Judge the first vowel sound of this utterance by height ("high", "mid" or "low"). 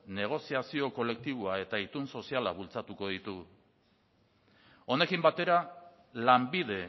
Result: mid